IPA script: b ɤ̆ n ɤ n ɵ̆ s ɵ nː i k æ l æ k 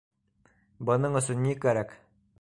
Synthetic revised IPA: b ɤ̆ n ɤ ɴ ɵ̆ s ɵ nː i k æ ɾ æ k